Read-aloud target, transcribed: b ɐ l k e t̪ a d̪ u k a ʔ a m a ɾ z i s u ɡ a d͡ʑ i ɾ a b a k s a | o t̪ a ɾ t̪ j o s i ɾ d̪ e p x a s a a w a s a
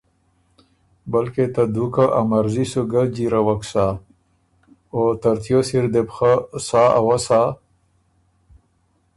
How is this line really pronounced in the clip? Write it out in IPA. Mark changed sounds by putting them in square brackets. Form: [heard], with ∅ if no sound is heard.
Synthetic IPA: b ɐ l k e t̪ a d̪ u k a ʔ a m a ɾ z i s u ɡ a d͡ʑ i ɾ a [w] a k s a | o t̪ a ɾ t̪ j o s i ɾ d̪ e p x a s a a w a s a